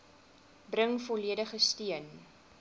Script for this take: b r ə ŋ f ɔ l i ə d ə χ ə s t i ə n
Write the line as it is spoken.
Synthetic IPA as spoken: b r ə ŋ f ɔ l i ə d ə χ ə s t i ə n